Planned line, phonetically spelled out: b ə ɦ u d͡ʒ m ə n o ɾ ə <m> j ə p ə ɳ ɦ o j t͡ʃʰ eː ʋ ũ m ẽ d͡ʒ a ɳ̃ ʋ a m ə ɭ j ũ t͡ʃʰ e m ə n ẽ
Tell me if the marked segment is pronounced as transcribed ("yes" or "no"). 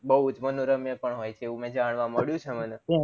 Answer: yes